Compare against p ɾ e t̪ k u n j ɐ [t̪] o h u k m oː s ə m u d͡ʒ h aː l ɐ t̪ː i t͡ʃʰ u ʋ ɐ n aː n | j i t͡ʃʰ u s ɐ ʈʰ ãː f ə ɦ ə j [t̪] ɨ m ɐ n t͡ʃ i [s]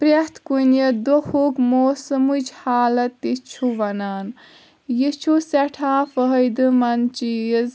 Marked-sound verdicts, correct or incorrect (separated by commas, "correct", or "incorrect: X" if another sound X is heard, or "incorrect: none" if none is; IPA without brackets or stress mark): incorrect: d̪, incorrect: d̪, incorrect: z